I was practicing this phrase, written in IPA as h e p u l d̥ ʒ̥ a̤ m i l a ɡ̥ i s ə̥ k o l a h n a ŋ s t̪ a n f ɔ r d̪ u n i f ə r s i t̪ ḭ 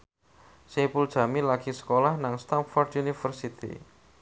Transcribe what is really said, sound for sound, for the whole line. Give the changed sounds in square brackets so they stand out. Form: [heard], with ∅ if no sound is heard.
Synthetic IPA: [s] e p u l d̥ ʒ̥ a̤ m i l a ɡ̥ i s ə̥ k o l a h n a ŋ s t̪ a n f ɔ r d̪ u n i f ə r s i t̪ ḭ

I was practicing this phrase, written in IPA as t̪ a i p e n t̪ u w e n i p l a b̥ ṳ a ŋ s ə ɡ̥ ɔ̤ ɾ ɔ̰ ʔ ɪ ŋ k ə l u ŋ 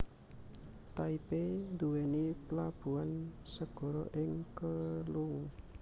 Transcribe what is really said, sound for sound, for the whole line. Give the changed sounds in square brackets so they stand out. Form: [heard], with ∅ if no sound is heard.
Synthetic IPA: t̪ a i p e n [d̪] u w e n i p l a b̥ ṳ a [n] s ə ɡ̥ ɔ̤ ɾ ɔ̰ ʔ ɪ ŋ k ə l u ŋ

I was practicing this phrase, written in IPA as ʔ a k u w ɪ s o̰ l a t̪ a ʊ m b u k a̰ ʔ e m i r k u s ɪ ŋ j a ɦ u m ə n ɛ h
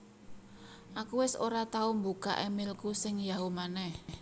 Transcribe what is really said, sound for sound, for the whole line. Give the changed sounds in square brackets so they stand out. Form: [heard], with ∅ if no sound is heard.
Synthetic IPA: ʔ a k u w ɪ s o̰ [ɾ] a t̪ a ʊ m b u k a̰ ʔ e m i [l] k u s ɪ ŋ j a ɦ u m [a] n ɛ h

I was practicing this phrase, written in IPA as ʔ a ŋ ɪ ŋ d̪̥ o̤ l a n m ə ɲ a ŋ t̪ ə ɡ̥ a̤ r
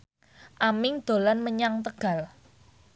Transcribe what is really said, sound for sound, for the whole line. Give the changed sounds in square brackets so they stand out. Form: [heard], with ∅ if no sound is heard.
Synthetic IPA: ʔ a [m] ɪ ŋ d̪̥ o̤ l a n m ə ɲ a ŋ t̪ ə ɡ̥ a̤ [l]

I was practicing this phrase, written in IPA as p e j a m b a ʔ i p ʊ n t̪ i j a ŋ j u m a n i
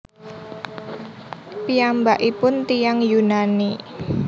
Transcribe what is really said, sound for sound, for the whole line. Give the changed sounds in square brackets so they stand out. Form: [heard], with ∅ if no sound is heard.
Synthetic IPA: p [i] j a m b a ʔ i p ʊ n t̪ i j a ŋ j u [n] a n i

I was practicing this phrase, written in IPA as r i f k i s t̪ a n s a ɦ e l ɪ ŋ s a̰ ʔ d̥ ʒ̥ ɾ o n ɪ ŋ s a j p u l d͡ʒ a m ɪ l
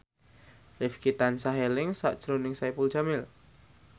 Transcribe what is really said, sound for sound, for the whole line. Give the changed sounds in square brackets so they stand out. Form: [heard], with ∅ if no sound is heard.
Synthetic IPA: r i f k i [∅] t̪ a n s a ɦ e l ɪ ŋ s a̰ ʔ d̥ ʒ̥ ɾ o n ɪ ŋ s a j p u l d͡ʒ a m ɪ l

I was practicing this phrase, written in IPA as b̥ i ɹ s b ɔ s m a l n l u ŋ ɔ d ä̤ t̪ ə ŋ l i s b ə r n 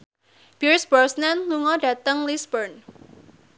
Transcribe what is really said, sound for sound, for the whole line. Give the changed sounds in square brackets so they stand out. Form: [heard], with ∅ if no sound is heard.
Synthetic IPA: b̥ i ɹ s b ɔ s [n] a [∅] n l u ŋ ɔ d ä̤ t̪ ə ŋ l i s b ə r n

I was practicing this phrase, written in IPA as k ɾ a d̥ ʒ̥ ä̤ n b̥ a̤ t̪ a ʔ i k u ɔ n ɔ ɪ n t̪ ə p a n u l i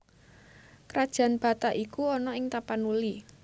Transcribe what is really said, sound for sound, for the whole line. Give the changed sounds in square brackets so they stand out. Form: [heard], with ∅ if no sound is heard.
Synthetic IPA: k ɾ a d̥ ʒ̥ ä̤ n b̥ a̤ t̪ a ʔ i k u ɔ n ɔ ɪ [ŋ] t̪ [a] p a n u l i

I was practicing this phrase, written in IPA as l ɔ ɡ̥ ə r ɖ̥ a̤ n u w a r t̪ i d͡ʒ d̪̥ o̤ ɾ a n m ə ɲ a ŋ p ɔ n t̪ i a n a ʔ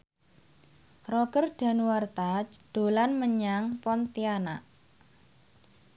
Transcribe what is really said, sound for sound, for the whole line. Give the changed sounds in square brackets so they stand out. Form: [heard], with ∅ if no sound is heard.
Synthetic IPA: [r] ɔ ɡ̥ ə r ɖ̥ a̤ n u w a r t̪ [a] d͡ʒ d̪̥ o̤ [l] a n m ə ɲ a ŋ p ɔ n t̪ i a n a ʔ

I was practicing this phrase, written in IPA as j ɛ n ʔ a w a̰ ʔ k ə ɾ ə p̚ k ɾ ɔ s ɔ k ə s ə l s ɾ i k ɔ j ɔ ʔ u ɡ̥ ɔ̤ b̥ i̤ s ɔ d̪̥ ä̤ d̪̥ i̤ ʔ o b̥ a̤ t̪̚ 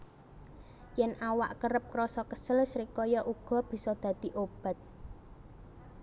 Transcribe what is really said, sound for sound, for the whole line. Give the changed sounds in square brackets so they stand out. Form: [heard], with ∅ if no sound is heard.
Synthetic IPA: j ɛ n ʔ a w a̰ ʔ k ə ɾ ə p̚ k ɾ ɔ s ɔ k ə s ə l s ɾ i k ɔ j ɔ ʔ u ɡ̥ ɔ̤ b̥ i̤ s ɔ d̪̥ ä̤ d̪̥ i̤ ʔ o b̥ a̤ t̪̚

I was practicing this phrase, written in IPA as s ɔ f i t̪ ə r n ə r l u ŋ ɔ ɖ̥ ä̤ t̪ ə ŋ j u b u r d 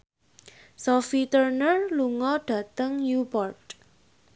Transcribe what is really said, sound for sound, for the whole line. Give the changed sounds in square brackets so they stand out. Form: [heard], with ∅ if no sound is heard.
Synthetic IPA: s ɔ f i t̪ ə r n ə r l u ŋ ɔ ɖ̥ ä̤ t̪ ə ŋ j u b [ɔ] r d

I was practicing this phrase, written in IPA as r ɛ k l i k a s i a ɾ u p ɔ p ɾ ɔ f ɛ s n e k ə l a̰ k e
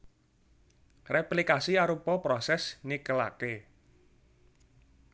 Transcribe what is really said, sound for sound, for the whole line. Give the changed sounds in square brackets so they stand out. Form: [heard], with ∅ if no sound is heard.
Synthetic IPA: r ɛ [p] l i k a s i a ɾ u p ɔ p ɾ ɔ [s] ɛ s n [i] k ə l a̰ k e

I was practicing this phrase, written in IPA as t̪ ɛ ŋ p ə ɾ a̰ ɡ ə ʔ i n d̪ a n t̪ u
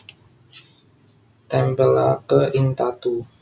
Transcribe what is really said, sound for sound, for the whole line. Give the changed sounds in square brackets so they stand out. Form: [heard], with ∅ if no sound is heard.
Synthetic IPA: t̪ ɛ [m] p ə [l] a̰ [k] ə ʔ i n [t̪] a [∅] t̪ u

